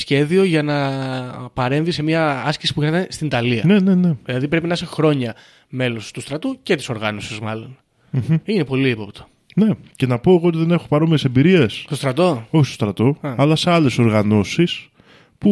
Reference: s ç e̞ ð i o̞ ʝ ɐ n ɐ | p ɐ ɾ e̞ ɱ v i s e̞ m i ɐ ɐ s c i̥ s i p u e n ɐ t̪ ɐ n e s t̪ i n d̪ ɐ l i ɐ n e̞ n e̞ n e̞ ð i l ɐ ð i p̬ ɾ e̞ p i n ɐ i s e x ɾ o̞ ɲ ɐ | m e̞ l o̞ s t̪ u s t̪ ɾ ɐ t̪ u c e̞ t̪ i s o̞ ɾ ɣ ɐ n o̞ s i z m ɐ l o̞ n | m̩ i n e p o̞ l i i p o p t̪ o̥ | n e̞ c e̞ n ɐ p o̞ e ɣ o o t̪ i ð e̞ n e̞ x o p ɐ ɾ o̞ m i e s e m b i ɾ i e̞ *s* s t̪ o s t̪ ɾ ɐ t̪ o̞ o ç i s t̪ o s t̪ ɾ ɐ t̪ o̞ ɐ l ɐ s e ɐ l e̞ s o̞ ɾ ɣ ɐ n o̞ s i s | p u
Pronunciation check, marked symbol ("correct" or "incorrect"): correct